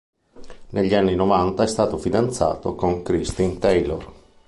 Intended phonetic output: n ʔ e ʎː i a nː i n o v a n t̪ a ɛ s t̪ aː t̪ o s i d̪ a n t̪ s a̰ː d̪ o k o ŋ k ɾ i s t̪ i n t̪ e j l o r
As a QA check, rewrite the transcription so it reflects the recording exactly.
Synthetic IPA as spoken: n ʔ e ʎː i a nː i n o v a n t̪ a ɛ s t̪ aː t̪ o f i d̪ a n t̪ s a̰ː t̪ o k o ŋ k ɾ i s t̪ i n t̪ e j l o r